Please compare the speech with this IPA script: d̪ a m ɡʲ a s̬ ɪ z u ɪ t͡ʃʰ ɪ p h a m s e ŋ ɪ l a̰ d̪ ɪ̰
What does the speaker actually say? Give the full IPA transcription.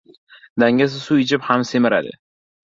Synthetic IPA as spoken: d̪ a ŋ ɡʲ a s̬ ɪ s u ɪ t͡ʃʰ ɪ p h a m s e m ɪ ɾ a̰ d̪ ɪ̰